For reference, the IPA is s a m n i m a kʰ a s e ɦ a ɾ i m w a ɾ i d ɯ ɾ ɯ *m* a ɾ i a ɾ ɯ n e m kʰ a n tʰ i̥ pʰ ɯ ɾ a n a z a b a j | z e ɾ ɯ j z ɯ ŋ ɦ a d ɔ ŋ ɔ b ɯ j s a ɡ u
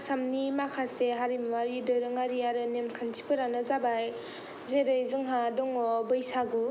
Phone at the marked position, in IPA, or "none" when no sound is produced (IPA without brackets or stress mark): ŋ